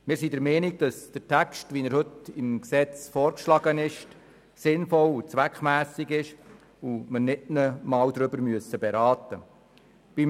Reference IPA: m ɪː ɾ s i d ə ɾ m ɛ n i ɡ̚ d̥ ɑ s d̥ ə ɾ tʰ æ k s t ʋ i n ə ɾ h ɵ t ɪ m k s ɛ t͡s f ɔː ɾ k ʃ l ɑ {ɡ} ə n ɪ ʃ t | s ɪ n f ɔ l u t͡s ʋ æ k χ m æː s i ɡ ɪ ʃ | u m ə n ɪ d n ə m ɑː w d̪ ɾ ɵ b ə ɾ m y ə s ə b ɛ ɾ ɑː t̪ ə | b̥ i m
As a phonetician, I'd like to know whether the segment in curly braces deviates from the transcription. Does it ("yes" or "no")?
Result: no